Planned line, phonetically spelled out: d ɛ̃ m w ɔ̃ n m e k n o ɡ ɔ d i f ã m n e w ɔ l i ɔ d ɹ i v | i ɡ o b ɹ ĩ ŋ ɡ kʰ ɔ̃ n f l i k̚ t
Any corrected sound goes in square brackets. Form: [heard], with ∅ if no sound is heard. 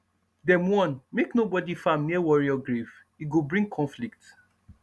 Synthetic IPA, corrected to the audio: d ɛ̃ m w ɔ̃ n m e k n o [b] ɔ d i f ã m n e w ɔ [ɹ] i ɔ [ɡ] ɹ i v | i ɡ o b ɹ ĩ ŋ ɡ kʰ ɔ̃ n f l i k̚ t